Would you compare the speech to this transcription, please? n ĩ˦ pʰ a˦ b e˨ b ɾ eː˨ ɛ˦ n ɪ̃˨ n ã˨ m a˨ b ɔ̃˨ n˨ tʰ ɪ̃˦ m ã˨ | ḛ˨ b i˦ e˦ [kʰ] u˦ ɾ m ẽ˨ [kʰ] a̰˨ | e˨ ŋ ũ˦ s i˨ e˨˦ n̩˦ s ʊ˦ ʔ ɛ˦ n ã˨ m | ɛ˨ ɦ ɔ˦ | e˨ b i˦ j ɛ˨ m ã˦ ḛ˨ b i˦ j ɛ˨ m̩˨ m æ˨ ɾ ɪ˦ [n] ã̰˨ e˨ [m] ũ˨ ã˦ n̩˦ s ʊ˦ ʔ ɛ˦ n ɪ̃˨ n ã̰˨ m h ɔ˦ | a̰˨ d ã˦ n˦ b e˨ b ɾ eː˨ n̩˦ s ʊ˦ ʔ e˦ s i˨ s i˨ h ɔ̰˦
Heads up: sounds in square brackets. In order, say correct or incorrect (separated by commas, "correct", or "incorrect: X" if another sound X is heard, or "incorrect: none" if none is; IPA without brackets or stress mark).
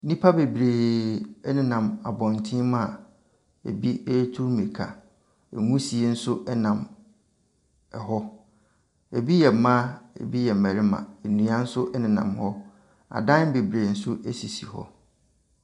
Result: incorrect: tʰ, correct, incorrect: m, incorrect: n